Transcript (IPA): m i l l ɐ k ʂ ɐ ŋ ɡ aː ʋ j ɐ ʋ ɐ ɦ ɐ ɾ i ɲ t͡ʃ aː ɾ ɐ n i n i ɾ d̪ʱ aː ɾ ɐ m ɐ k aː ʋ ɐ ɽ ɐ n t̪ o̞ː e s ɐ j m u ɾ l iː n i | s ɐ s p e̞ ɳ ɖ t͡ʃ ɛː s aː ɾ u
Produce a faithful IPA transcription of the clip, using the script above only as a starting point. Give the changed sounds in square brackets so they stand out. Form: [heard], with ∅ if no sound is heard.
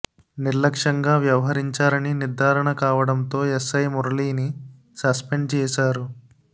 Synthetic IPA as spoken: [n] i [ɾ] l ɐ k ʂ ɐ ŋ ɡ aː ʋ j ɐ ʋ ɐ ɦ ɐ ɾ i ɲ t͡ʃ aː ɾ ɐ n i n i ɾ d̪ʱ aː ɾ ɐ [ɳ] ɐ k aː ʋ ɐ ɽ ɐ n t̪ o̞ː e s ɐ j m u ɾ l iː n i | s ɐ s p e̞ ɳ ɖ t͡ʃ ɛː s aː ɾ u